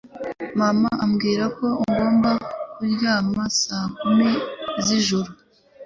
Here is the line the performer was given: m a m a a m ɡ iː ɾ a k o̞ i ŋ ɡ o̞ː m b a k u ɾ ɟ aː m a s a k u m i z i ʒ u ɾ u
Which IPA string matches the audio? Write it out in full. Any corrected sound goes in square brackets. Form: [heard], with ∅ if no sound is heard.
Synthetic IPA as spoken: m a m a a m ɡ iː ɾ a k o̞ i ŋ ɡ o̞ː m b a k u ɾ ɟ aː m a s a k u m i z i ʒ u ɾ u